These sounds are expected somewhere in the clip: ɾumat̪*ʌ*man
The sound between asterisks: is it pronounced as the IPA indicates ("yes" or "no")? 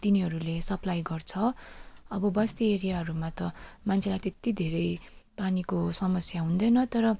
yes